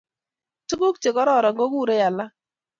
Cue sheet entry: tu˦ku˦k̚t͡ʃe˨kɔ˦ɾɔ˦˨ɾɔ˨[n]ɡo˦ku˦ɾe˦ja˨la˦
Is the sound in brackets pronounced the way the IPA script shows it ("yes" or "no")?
no